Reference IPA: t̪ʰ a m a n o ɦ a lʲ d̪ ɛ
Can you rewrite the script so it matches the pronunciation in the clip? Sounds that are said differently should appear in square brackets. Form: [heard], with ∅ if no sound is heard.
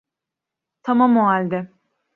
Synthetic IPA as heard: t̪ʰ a m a [m] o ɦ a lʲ d̪ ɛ